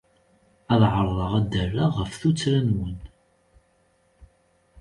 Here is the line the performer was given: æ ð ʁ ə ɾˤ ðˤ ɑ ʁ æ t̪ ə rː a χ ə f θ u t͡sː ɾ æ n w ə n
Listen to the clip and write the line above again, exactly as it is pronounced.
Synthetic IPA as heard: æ ð ʕ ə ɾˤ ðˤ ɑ ʁ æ d̪ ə rː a ʁ ə f θ u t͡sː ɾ æ n w ə n